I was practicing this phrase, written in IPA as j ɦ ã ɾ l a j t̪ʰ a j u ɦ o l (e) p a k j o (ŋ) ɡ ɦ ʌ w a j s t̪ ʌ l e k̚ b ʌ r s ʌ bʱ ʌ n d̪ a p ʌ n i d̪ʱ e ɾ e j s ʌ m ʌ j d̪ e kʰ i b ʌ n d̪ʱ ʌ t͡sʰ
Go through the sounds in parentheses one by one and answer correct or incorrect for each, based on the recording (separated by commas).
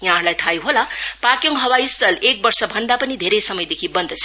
incorrect, correct